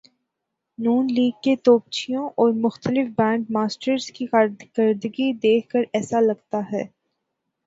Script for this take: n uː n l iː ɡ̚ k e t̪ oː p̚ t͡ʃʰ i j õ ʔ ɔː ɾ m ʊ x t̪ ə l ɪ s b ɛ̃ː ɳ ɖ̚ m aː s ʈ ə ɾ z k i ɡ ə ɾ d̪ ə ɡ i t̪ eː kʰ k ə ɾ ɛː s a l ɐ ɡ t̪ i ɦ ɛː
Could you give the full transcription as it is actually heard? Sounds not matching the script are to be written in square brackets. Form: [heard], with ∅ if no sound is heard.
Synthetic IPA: n uː n l iː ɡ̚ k e t̪ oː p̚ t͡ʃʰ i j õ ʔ ɔː ɾ m ʊ x t̪ ə l ɪ [f] b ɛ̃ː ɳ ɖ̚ m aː s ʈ ə ɾ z k i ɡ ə ɾ d̪ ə ɡ i [d̪] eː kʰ k ə ɾ ɛː s a l ɐ ɡ t̪ [a] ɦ ɛː

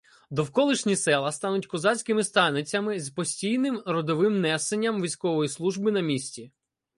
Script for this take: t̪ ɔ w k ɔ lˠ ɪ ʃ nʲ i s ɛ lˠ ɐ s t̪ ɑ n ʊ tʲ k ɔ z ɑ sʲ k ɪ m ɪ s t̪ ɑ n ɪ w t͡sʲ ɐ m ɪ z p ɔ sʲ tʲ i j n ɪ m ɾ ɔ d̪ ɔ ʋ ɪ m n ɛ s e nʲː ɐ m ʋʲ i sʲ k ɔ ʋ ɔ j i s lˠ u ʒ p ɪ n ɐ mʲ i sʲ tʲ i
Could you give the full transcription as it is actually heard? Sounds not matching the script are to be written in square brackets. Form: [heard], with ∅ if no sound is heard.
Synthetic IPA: [d̪] ɔ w k ɔ lˠ ɪ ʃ nʲ i s ɛ lˠ ɐ s t̪ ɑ n ʊ tʲ k ɔ z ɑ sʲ k ɪ m ɪ s t̪ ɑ n ɪ [∅] t͡sʲ ɐ m ɪ z p ɔ sʲ tʲ i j n ɪ m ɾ ɔ d̪ ɔ ʋ ɪ m n ɛ s e nʲː ɐ m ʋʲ i sʲ k ɔ ʋ ɔ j i s lˠ u ʒ [b] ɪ n ɐ mʲ i sʲ tʲ i

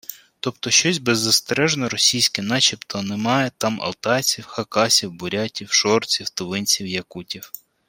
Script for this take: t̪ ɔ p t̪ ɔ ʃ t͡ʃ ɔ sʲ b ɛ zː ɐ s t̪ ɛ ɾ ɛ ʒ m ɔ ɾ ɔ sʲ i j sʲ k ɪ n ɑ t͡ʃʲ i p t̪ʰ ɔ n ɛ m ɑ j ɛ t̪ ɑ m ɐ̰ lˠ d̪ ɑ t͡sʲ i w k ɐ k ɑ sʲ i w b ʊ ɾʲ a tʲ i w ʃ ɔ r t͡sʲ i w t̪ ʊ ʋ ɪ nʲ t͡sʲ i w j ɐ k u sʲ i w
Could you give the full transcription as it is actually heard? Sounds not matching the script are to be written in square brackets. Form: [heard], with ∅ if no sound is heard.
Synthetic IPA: t̪ ɔ p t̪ ɔ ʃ t͡ʃ ɔ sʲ b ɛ zː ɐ s t̪ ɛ ɾ ɛ ʒ [n] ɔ ɾ ɔ sʲ i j sʲ k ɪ n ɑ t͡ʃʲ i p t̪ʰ ɔ n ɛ m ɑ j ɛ t̪ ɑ m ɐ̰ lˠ [t̪] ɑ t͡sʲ i w [x] ɐ k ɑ sʲ i w b ʊ ɾʲ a tʲ i w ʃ ɔ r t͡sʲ i w t̪ ʊ ʋ ɪ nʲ t͡sʲ i w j ɐ k u [tʲ] i w

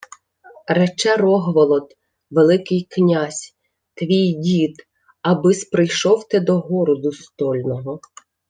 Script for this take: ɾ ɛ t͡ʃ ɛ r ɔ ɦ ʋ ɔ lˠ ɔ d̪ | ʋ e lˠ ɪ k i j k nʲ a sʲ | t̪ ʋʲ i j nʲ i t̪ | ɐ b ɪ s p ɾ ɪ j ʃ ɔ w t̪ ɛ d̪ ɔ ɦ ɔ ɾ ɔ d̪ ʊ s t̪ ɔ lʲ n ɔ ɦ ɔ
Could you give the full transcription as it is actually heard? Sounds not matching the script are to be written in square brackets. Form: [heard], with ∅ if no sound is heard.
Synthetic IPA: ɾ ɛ t͡ʃ ɛ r ɔ ɦ ʋ ɔ lˠ ɔ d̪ | ʋ e lˠ ɪ k [ɪ] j k nʲ a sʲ | t̪ ʋʲ i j [dʲ] i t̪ | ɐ b ɪ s p ɾ ɪ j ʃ ɔ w t̪ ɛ d̪ ɔ ɦ ɔ ɾ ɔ d̪ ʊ s t̪ ɔ lʲ n ɔ ɦ ɔ

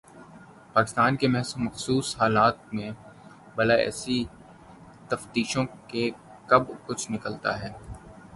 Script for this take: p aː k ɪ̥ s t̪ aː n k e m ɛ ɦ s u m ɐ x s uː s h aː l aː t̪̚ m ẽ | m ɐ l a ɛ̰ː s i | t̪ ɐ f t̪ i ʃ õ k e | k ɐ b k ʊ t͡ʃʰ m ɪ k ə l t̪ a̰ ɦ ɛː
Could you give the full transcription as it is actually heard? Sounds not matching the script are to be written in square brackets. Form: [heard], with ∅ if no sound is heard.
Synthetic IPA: p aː k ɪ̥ s t̪ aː n k e m ɛ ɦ s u m ɐ x s uː s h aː l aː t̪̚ m ẽ | [b] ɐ l a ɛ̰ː s i | t̪ ɐ f t̪ [iː] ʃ õ k e | k ɐ b k ʊ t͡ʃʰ [n] ɪ k ə l t̪ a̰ ɦ ɛː

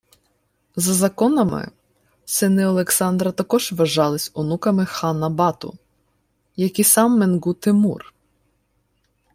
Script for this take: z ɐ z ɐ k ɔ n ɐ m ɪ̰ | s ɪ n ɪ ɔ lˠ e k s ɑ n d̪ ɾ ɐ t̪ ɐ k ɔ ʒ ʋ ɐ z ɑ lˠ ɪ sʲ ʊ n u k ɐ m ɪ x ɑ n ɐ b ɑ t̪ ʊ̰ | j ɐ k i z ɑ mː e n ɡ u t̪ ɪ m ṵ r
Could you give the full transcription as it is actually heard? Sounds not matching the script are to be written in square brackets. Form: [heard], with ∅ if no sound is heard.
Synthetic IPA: z ɐ z ɐ k ɔ n ɐ m ɪ̰ | s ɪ n ɪ ɔ lˠ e k s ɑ n d̪ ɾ ɐ t̪ ɐ k ɔ ʒ ʋ ɐ [ʒ] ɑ lˠ ɪ sʲ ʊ n u k ɐ m ɪ x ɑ n ɐ b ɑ t̪ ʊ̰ | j ɐ k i [s] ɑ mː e n ɡ u t̪ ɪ m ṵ r

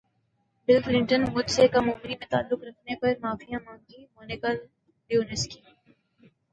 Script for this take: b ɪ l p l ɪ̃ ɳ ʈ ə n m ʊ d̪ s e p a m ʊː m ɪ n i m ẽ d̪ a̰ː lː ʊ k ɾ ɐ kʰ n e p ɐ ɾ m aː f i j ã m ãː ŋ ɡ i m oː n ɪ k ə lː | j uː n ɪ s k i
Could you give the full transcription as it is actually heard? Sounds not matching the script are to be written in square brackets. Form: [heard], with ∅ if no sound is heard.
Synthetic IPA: b ɪ l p l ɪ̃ ɳ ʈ ə n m ʊ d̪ s e [k] a m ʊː m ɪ n i m ẽ [t̪] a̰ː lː ʊ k ɾ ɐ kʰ n e p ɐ ɾ m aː f i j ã m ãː ŋ ɡ i m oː n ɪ k ə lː | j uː n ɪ s k i

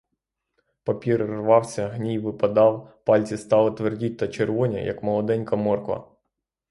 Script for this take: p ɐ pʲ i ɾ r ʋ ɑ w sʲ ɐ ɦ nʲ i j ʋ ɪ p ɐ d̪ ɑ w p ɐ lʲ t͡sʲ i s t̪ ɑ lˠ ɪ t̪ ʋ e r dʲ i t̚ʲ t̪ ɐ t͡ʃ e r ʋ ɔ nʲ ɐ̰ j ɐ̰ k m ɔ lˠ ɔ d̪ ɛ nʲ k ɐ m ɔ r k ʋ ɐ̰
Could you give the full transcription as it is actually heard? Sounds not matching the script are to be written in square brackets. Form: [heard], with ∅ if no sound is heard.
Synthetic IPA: p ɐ pʲ i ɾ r ʋ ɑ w sʲ ɐ ɦ nʲ i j ʋ ɪ p ɐ d̪ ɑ w p [ɑ] lʲ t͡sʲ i s t̪ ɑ lˠ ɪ t̪ ʋ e r dʲ i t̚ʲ t̪ ɐ t͡ʃ e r ʋ ɔ nʲ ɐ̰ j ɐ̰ k m ɔ lˠ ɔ d̪ ɛ nʲ k ɐ m ɔ r k ʋ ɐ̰

